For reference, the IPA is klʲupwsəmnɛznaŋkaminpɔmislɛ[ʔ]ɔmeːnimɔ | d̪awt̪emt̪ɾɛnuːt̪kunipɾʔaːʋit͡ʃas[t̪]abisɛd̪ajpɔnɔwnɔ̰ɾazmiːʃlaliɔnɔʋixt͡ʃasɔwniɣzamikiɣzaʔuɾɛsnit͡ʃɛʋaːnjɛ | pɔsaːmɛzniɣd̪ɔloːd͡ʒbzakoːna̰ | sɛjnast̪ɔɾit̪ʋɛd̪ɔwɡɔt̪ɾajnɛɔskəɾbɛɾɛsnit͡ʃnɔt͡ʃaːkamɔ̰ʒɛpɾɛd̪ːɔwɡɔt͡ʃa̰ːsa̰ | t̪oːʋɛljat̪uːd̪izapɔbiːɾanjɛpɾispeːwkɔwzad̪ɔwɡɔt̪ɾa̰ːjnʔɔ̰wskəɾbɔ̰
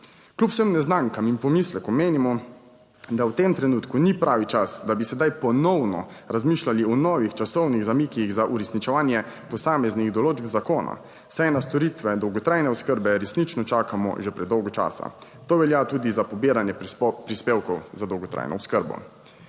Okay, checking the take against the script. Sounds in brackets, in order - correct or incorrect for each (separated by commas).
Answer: incorrect, incorrect